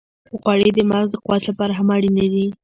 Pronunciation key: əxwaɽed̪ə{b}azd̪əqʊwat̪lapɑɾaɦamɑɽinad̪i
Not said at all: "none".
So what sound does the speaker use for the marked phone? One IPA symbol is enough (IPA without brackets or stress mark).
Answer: m